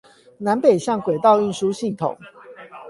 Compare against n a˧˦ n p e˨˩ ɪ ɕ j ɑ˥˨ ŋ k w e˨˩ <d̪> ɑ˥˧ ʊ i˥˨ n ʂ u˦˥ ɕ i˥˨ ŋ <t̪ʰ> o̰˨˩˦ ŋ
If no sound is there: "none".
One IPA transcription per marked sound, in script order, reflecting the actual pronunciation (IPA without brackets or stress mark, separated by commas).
t̪, t̪ʰ